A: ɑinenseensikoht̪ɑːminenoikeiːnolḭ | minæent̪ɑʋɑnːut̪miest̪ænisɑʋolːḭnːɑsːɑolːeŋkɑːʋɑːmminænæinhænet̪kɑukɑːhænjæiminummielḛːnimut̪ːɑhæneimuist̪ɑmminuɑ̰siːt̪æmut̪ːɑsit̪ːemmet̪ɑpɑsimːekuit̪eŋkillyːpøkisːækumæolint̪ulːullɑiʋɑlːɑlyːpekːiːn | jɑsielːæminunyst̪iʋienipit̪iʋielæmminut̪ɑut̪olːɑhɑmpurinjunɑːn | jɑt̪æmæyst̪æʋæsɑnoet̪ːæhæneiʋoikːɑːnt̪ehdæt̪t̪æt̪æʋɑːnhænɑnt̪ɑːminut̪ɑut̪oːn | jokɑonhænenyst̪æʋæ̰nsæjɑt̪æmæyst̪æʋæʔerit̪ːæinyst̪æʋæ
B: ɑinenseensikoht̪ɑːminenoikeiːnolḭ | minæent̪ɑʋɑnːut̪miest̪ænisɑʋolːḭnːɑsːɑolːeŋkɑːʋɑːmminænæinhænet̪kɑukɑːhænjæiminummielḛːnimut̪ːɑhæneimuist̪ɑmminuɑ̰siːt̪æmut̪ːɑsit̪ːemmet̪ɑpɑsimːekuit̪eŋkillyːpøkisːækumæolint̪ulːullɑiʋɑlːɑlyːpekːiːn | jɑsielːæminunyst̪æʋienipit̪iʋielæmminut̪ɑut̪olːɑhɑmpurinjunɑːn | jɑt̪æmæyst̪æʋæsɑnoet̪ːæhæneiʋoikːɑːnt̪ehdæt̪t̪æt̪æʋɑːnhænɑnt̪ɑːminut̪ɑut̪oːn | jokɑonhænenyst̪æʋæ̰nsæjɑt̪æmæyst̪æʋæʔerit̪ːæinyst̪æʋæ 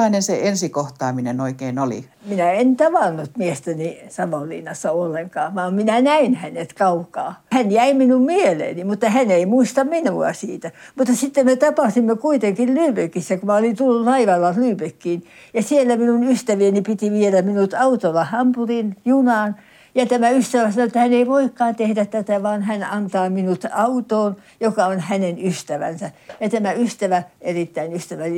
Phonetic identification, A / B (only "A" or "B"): B